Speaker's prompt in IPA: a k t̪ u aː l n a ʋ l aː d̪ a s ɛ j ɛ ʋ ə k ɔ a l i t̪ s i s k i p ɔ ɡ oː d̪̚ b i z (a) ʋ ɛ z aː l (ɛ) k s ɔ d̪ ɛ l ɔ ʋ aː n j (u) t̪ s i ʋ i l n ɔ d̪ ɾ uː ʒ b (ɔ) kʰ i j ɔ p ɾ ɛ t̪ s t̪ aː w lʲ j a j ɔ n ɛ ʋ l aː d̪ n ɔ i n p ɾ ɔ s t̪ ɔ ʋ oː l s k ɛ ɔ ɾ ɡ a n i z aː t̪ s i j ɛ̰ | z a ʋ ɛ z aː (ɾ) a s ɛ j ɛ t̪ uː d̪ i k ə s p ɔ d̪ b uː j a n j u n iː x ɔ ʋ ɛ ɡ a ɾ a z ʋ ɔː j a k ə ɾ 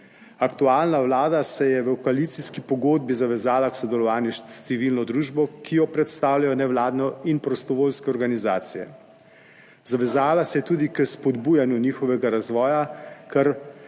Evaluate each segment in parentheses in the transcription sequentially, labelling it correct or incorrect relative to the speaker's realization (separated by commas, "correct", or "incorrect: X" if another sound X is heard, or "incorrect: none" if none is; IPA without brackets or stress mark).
correct, incorrect: a, correct, correct, incorrect: l